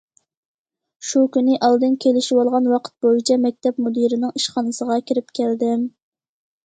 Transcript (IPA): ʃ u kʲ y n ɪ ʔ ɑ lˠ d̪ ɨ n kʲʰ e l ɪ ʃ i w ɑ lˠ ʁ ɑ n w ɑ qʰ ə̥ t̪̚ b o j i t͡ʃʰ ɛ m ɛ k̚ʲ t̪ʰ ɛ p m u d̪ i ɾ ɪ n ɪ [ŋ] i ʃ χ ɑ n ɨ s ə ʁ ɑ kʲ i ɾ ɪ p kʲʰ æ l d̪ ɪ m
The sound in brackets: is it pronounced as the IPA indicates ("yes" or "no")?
yes